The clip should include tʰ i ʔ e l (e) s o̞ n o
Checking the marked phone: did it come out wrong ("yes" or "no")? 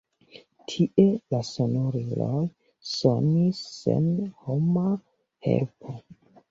yes